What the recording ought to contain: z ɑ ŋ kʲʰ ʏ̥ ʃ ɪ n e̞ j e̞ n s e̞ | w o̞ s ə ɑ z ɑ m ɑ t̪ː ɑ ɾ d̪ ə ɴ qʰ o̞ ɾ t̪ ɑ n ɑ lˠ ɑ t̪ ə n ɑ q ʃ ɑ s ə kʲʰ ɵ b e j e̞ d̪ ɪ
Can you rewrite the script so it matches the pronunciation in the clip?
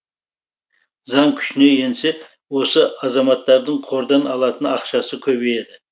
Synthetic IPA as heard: z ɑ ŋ kʲʰ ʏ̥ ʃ ɪ n e̞ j e̞ n s e̞ | w o̞ s ə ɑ z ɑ m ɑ t̪ː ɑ ɾ d̪ ə ɴ qʰ o̞ ɾ d̪ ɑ n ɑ lˠ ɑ t̪ ə n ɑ q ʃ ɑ s ə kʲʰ ɵ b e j e̞ d̪ ɪ

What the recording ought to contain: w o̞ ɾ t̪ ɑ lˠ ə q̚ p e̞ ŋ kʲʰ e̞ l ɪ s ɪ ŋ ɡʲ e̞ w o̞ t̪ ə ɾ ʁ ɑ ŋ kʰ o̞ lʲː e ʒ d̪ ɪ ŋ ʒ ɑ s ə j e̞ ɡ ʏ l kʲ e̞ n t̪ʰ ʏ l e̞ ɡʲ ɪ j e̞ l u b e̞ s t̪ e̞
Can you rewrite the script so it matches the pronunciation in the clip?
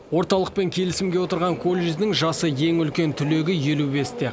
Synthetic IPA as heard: w o̞ ɾ t̪ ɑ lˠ ə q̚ p e̞ ŋ kʲʰ e̞ l ɪ s ɪ m ɡʲ e̞ w o̞ t̪ ə ɾ ʁ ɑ ŋ kʰ o̞ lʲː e ʒ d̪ ɪ ŋ ʒ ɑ s ə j e̞ ŋ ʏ l kʲ e̞ n t̪ʰ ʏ l e̞ ɡʲ ɪ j e̞ l u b e̞ s t̪ e̞

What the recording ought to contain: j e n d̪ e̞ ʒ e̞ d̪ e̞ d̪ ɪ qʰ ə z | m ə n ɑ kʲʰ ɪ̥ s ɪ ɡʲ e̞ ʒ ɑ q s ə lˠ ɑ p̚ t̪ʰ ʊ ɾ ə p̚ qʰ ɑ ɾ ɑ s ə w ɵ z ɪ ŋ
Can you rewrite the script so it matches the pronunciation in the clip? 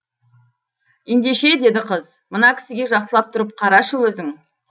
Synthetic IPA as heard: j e n d̪ e̞ ʃ e̞ d̪ e̞ d̪ ɪ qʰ ə z | m ə n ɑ kʲʰ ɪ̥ s ɪ ɡʲ e̞ ʒ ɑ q s ə lˠ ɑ p̚ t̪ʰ ʊ ɾ ə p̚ qʰ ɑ ɾ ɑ ʃ ə w ɵ z ɪ ŋ

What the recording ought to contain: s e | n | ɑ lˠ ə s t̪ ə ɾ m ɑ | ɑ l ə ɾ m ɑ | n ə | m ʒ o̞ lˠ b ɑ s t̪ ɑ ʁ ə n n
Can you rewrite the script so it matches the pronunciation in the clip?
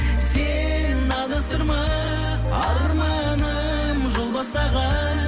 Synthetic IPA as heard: s e | n | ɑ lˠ ə s t̪ ə ɾ m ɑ | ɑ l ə ɾ m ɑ | n ə | m ʒ o̞ lˠ b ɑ s t̪ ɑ ʁ ɑ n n

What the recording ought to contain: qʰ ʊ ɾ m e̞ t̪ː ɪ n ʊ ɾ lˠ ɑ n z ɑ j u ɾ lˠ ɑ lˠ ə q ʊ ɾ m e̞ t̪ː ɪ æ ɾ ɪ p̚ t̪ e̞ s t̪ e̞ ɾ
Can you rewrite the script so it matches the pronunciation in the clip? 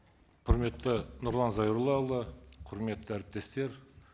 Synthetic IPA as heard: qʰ ʊ ɾ m e̞ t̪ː ɪ n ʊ ɾ lˠ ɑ n z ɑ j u ɾ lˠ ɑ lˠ ə qʰ ʊ ɾ m e̞ t̪ː ɪ æ ɾ ɪ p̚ t̪ e̞ s t̪ e̞ ɾ

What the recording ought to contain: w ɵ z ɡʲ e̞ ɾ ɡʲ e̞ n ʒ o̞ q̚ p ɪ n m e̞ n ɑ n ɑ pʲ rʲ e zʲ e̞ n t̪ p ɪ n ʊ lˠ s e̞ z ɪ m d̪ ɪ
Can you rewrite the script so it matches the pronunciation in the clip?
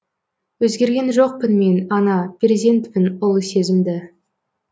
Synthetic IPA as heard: w ɵ z ɡʲ e̞ ɾ ɡʲ e̞ n ʒ o̞ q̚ p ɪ n m e̞ n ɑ n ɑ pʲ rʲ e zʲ e̞ n t̪ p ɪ n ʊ lˠ s e̞ z ɪ m d̪ ɪ

